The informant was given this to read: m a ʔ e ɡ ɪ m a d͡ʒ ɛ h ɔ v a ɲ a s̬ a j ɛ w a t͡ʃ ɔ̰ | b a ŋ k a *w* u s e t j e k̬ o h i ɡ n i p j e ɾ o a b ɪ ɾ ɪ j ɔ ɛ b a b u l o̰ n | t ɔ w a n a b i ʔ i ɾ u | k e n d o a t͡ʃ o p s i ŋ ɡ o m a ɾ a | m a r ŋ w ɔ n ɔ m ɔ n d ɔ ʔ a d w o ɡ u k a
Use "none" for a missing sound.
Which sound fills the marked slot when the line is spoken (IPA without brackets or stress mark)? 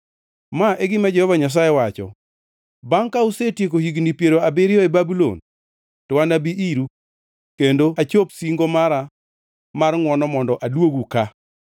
none